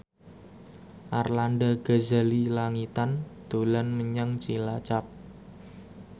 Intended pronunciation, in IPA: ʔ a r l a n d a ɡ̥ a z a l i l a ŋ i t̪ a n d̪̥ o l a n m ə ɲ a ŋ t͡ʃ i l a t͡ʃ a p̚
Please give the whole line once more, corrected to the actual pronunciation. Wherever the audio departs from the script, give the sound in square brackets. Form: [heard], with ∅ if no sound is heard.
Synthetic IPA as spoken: ʔ a r l a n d a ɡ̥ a z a l i l a ŋ i t̪ a n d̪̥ o l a n m ə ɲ a ŋ t͡ʃ i l a t͡ʃ a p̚